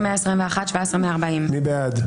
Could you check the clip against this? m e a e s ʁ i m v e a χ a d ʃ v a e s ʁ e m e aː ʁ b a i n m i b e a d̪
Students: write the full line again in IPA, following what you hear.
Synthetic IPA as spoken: m e a e s ʁ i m v e a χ a t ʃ v a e s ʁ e m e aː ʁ b a i m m i b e a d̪

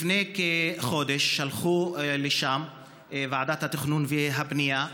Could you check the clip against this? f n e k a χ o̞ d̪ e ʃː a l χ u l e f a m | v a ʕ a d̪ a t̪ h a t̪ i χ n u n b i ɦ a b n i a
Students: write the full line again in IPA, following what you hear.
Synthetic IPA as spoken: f n e k e χ o̞ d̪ e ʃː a l χ u l e ʃ a m | v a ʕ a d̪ a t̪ h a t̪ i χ n u n v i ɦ a b n i a

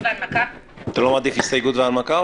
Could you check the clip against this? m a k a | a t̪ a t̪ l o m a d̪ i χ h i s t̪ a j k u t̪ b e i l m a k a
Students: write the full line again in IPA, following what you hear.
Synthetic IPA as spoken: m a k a | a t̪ a l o m a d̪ i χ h i s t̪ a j ɡ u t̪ v e a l m a k a

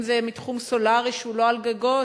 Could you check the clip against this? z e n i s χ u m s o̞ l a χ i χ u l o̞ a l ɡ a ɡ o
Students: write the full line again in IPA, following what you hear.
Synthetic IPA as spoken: z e m i t χ u m s o̞ l a ʁ i ʃ u l o̞ a l ɡ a ɡ o

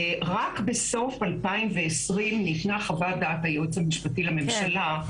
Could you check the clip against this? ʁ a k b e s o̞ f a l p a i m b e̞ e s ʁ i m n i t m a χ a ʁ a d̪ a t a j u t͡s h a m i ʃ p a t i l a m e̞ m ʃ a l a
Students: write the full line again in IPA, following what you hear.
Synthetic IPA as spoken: ʁ a k b e s o̞ f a l p a i m v e̞ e s ʁ i m n i t n a χ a v a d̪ a t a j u t͡s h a m i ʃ p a t i l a m e̞ m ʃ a l a

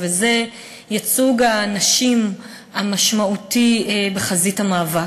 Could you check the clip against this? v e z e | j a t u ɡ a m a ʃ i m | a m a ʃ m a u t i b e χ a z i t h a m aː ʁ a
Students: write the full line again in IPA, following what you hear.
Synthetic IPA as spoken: v e z e | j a t͡s u ɡ a n a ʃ i m | a m a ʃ m a u t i b e χ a z i t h a m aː v a

